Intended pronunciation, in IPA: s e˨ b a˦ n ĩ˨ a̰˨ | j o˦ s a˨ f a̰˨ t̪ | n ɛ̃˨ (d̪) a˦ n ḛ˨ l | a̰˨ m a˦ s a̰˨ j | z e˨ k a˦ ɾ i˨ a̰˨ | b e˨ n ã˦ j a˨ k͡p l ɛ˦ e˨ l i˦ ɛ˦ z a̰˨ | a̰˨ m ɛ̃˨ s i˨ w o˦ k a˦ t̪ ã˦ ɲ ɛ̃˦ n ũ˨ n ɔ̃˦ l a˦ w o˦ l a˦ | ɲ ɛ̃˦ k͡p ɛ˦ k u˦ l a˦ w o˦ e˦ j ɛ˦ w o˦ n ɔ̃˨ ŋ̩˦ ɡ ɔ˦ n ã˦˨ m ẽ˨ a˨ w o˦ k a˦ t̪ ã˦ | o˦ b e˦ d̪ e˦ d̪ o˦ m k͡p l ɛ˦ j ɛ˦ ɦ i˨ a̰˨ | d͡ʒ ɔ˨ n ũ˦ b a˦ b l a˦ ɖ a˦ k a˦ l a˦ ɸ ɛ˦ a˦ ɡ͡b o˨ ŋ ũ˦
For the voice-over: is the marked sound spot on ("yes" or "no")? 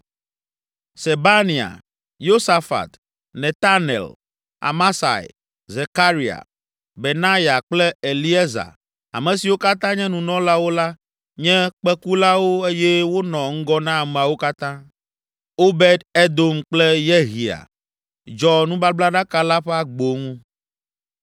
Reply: no